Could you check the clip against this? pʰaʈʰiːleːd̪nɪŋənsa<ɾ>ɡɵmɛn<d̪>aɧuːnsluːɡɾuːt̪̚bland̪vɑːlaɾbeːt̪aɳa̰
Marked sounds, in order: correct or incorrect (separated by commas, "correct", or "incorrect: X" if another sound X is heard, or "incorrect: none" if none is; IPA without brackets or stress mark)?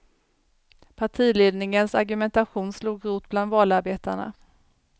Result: correct, incorrect: t̪